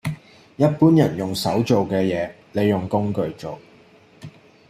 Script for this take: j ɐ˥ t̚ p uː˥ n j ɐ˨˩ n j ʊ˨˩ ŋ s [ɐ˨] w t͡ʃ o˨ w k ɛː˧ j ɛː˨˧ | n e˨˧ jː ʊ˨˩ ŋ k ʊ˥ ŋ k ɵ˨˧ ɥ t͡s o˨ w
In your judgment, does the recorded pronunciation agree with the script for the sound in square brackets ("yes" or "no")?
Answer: no